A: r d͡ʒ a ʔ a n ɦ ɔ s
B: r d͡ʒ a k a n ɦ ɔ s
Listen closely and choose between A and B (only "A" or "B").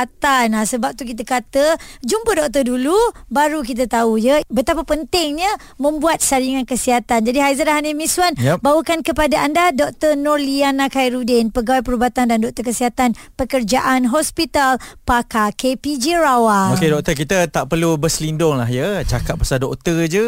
A